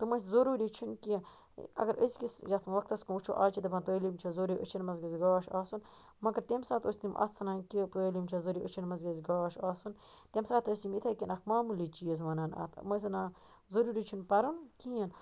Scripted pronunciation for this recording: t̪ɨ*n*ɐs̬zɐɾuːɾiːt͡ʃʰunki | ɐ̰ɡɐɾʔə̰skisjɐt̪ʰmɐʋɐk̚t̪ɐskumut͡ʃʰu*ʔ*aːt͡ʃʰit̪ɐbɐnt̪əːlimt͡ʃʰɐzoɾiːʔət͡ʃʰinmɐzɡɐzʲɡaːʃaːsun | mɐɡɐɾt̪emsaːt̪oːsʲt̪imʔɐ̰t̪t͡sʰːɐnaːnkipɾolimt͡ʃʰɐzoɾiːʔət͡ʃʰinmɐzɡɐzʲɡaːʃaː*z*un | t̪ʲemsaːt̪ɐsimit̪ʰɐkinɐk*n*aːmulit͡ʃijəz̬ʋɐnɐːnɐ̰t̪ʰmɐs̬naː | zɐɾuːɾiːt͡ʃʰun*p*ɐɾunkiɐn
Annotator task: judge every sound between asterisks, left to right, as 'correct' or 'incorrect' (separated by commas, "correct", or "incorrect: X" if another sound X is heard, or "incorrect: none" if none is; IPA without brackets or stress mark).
incorrect: m, correct, incorrect: s, incorrect: m, correct